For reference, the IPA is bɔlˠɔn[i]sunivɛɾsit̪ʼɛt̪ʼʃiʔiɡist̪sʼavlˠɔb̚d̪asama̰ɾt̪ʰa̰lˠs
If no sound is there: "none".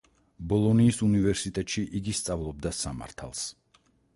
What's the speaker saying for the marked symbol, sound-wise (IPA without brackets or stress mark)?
iː